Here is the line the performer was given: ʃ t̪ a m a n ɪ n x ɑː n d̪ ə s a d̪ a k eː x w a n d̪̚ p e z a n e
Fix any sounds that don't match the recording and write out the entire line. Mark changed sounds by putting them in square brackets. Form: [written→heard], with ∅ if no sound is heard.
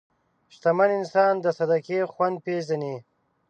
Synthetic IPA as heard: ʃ t̪ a m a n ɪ n [x→s] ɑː n d̪ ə s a d̪ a k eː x w a n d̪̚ p e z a n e